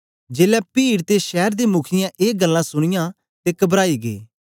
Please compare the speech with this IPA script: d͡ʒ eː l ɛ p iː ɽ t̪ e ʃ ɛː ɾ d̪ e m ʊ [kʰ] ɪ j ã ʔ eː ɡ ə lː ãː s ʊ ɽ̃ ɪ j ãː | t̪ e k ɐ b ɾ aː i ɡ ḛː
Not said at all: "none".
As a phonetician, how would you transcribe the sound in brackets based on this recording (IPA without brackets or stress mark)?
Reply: kʰ